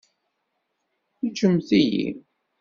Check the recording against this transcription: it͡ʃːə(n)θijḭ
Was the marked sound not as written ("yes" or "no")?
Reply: yes